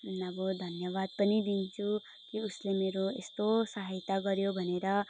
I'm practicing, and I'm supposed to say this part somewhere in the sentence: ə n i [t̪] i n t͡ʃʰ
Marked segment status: incorrect: d̪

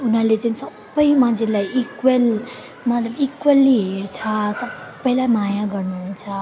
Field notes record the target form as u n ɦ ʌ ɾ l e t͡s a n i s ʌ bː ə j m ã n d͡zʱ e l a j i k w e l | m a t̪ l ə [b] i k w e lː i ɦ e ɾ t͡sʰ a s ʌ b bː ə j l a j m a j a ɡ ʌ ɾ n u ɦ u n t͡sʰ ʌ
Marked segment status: correct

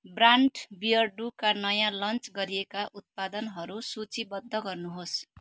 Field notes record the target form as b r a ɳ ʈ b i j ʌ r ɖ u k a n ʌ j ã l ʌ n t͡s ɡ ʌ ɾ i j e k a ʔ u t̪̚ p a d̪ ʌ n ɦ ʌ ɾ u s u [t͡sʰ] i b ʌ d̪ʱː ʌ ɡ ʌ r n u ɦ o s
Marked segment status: incorrect: t͡s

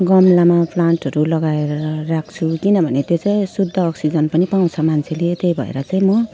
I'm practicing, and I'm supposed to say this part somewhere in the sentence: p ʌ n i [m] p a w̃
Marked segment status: incorrect: none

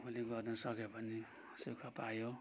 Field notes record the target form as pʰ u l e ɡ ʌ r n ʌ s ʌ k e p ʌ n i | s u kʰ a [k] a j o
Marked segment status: incorrect: p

